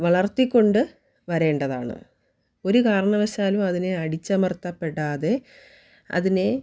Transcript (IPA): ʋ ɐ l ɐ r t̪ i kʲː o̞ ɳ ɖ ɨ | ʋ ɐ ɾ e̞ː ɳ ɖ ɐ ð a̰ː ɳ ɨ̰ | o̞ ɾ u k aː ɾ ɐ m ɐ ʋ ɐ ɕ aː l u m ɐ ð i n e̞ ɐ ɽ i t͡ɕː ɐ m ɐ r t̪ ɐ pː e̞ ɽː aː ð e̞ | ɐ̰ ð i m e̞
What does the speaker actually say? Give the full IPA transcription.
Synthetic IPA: ʋ ɐ ɭ ɐ r t̪ i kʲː o̞ ɳ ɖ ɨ | ʋ ɐ ɾ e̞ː ɳ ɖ ɐ ð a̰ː ɳ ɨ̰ | o̞ ɾ u k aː ɾ ɐ ɳ ɐ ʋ ɐ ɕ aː l u m ɐ ð i n e̞ ɐ ɽ i t͡ɕː ɐ m ɐ r t̪ ɐ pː e̞ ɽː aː ð e̞ | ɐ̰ ð i n e̞

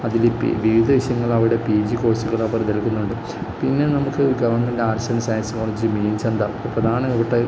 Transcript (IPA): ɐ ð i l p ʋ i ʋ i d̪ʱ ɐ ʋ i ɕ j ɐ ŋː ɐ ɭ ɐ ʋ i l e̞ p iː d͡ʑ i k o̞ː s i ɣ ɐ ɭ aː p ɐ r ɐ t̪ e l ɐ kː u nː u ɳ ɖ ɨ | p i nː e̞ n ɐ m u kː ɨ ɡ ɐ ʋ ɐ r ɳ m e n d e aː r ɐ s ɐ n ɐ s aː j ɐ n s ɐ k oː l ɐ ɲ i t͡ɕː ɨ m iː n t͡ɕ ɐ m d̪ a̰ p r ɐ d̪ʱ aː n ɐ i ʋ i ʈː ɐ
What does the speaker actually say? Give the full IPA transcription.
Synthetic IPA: ɐ ð i l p ʋ i ʋ i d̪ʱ ɐ ʋ i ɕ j ɐ ŋː ɐ ɭ ɐ ʋ i ɽ e̞ p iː d͡ʑ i k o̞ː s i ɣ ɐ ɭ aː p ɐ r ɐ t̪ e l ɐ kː u nː u ɳ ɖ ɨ | p i nː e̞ n ɐ m u kː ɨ ɡ ɐ ʋ ɐ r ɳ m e n d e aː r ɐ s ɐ n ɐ s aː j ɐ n s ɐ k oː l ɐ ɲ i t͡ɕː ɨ m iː n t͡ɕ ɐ n d̪ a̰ p r ɐ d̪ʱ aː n ɐ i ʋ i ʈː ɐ

